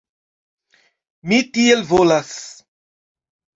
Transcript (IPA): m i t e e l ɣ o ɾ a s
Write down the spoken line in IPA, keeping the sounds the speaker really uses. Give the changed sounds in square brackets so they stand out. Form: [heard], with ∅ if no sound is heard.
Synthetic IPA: m i t [i] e l [v] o [l] a s